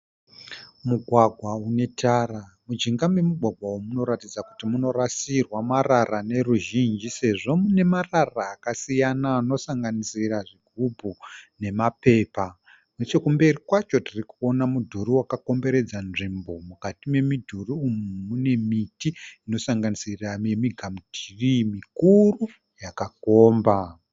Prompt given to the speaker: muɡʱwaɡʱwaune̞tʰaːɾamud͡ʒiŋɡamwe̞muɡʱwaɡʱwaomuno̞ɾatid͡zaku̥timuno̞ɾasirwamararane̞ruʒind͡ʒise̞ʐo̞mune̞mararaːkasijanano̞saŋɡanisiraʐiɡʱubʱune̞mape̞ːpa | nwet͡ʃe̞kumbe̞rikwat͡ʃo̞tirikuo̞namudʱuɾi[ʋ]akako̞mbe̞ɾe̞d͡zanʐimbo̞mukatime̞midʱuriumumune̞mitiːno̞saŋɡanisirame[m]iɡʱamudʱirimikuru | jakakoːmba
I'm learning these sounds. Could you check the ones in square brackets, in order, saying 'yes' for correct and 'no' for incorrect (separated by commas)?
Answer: no, yes